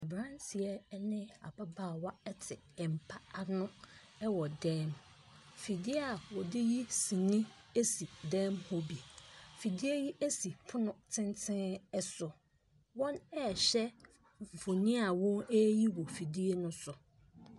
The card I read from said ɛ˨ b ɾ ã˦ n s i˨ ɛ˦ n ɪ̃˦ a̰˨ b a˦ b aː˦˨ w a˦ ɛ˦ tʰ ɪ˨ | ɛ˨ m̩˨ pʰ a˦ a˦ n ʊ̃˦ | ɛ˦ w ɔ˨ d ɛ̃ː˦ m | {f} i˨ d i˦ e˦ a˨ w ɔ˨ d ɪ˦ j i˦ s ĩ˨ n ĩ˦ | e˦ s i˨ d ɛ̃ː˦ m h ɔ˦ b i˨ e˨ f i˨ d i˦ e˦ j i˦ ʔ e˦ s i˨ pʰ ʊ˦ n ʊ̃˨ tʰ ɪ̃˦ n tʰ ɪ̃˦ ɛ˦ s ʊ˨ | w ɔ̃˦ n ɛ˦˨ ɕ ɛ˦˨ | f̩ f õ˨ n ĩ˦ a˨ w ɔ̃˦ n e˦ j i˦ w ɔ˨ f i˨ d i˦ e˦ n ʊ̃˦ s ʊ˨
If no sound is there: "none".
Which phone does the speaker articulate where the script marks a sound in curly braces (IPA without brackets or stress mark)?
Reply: f